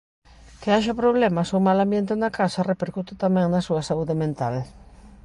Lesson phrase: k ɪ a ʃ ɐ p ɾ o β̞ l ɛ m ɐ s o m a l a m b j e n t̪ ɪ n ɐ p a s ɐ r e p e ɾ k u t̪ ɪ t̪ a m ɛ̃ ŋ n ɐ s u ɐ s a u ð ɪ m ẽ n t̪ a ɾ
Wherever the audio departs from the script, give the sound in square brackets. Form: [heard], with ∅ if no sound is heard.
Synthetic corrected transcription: k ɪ a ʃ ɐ p ɾ o β̞ l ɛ m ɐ s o m a l a m b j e n t̪ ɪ n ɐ [k] a s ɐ r e p e ɾ k u t̪ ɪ t̪ a m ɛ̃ ŋ n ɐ s u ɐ s a u ð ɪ m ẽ n t̪ a [l]